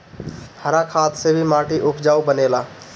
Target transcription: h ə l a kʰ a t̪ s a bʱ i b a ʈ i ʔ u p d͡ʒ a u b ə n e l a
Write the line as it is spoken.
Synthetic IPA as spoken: h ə ɾ a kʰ a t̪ s e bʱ i m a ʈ i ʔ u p d͡ʒ a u b ə n e l a